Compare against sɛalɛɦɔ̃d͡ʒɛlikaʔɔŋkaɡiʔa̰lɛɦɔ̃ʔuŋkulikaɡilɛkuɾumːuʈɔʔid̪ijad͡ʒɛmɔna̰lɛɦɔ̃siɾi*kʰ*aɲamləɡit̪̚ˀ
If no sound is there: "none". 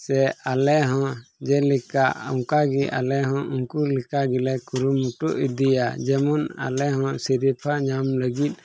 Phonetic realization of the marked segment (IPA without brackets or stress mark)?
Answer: pʰ